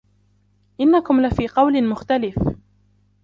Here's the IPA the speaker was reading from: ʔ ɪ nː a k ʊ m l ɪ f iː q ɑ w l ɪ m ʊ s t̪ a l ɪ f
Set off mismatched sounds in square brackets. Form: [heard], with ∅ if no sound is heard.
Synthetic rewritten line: ʔ ɪ nː a k ʊ m l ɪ f iː q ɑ w l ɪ m ʊ [x] t̪ a l ɪ f